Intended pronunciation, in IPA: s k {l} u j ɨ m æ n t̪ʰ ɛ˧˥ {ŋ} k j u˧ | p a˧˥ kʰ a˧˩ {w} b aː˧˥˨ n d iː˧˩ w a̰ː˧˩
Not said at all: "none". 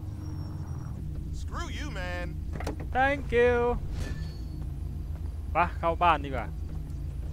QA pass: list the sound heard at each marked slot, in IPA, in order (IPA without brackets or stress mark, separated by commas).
ɹ, ŋ, w